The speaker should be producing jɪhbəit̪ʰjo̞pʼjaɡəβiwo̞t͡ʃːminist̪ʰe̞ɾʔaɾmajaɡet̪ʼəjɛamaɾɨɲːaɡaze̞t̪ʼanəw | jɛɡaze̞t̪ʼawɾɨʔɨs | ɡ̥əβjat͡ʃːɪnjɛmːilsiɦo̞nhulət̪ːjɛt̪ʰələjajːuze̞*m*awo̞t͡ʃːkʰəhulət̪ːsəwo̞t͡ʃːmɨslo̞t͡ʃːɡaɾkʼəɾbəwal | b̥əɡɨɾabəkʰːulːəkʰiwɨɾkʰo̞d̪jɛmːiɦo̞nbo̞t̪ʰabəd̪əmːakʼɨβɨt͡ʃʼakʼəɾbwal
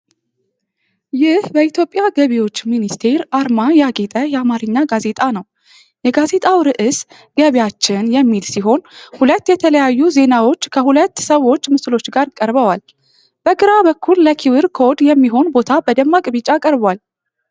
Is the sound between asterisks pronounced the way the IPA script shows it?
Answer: no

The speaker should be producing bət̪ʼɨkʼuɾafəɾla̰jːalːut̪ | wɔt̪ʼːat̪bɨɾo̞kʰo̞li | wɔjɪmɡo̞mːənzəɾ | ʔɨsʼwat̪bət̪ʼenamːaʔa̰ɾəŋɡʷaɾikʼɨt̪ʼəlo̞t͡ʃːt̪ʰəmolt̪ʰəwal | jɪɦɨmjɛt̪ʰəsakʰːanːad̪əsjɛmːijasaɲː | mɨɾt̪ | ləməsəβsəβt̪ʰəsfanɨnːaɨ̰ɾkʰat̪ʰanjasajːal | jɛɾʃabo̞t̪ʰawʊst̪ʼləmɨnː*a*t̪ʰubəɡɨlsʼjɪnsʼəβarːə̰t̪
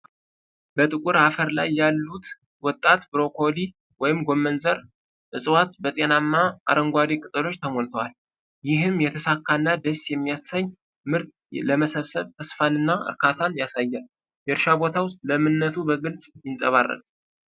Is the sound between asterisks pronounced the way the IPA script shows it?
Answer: no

